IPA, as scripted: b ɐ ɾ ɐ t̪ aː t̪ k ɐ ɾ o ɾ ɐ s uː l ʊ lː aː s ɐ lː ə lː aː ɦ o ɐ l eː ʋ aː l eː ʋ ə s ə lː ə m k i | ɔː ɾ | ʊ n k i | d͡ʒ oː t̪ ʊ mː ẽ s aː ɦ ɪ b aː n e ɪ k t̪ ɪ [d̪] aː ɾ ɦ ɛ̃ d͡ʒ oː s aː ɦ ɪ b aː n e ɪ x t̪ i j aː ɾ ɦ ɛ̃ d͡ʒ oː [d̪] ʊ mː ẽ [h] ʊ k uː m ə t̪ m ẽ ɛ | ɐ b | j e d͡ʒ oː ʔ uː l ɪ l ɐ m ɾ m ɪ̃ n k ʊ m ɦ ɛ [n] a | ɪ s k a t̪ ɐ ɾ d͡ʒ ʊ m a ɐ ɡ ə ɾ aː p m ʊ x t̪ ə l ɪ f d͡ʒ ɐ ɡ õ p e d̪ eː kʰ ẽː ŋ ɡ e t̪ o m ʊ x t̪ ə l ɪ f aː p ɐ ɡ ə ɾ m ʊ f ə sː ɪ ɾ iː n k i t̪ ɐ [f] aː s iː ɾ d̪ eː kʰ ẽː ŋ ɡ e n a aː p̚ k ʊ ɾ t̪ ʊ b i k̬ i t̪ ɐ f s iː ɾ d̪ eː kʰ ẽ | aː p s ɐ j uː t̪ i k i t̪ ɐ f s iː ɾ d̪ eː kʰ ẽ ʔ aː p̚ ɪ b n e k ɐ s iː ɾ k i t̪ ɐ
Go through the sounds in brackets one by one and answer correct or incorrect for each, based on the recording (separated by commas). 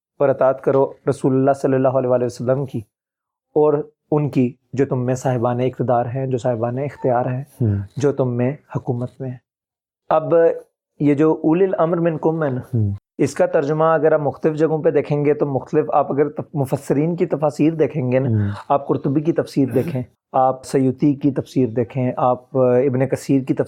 correct, incorrect, correct, correct, correct